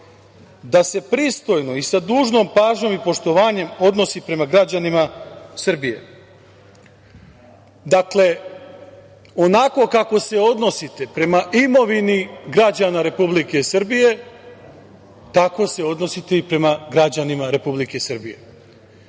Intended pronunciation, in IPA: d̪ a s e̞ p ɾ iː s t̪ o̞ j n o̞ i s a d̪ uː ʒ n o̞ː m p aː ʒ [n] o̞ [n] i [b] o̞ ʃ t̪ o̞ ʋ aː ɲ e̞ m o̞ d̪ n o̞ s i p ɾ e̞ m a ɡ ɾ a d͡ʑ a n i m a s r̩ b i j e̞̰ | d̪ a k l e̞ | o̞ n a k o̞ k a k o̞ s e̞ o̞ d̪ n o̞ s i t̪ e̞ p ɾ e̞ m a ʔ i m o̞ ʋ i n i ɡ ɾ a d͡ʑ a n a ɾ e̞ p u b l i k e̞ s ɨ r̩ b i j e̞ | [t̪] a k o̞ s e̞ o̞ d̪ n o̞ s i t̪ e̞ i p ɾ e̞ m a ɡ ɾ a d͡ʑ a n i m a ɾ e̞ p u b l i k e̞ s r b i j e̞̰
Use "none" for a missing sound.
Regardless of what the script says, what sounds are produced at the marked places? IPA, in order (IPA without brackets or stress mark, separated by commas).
ɲ, m, p, t̪